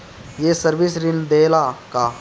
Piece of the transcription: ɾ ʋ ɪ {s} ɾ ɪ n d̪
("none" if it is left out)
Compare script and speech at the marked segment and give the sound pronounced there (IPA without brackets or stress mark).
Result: s